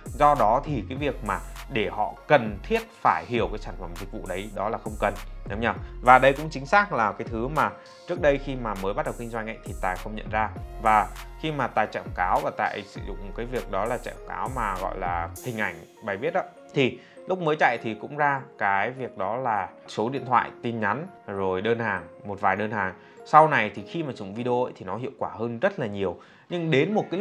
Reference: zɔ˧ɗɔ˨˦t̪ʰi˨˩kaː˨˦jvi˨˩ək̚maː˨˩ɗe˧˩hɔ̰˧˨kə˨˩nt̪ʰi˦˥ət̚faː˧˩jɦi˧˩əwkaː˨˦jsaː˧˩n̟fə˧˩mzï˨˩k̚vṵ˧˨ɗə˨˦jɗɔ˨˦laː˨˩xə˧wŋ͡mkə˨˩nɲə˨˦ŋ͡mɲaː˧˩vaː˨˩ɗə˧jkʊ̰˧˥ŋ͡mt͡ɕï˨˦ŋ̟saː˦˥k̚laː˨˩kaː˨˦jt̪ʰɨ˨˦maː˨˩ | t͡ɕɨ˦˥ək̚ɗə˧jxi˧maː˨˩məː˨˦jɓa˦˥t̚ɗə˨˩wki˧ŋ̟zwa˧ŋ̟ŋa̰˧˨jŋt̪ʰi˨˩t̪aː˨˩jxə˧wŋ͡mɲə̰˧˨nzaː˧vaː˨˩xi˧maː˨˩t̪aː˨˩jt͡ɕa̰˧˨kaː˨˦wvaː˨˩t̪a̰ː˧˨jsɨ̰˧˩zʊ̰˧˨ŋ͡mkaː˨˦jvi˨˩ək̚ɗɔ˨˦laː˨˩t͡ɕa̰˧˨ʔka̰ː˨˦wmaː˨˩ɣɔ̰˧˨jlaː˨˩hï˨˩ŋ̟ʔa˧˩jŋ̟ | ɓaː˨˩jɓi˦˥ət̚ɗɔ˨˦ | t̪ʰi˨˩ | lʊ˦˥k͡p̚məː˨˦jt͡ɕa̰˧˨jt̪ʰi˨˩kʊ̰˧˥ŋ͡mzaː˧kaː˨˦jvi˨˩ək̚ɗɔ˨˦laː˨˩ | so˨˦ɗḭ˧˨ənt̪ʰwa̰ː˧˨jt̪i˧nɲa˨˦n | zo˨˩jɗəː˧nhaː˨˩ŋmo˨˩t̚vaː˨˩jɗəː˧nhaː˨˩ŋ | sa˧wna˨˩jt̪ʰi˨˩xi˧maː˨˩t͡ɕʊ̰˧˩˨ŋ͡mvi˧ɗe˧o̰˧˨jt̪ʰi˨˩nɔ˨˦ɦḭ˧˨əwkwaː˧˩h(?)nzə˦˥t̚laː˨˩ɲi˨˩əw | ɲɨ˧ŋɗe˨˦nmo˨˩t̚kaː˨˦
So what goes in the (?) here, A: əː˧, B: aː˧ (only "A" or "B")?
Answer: A